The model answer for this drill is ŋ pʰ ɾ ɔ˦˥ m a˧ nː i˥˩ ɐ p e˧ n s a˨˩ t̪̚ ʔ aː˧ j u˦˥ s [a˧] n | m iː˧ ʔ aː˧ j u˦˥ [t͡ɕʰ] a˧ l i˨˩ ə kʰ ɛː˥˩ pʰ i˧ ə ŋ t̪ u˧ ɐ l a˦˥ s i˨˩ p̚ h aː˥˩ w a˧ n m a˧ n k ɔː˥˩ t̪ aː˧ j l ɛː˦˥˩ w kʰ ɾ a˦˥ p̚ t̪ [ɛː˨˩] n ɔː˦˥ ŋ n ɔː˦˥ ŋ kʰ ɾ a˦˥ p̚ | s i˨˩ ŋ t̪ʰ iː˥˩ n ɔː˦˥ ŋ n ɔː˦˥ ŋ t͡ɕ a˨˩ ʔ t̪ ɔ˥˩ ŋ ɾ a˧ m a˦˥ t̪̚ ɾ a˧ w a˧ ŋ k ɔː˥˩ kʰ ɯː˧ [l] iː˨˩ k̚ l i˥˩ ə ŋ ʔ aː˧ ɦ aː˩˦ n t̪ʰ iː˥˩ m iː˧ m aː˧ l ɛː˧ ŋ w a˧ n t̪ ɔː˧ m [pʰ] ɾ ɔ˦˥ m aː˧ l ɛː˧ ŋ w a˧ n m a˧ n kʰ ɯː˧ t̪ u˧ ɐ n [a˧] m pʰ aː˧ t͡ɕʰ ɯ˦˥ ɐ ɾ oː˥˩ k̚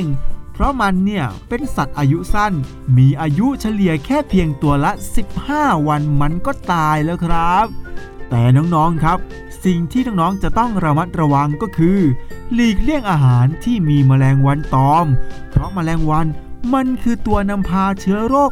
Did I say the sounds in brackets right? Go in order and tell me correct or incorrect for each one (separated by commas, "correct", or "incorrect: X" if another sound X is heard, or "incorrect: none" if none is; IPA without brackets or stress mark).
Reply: incorrect: a˥˩, correct, correct, correct, correct, correct